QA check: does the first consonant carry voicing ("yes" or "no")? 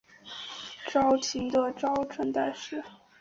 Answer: no